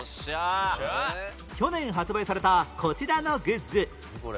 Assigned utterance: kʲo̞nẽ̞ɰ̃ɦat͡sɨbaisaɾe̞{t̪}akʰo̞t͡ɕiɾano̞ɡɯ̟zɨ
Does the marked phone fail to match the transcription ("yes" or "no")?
no